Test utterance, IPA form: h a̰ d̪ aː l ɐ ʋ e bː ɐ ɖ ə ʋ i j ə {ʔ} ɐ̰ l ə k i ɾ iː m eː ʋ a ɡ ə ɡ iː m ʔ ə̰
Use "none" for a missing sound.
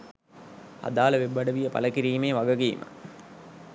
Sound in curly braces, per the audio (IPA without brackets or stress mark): p